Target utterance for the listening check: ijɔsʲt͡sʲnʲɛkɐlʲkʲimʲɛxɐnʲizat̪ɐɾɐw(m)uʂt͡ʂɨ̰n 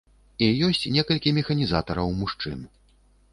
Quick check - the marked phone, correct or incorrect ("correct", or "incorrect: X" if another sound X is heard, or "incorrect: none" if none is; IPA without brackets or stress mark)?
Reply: correct